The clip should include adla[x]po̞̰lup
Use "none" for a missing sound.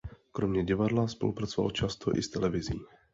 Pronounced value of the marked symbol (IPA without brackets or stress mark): s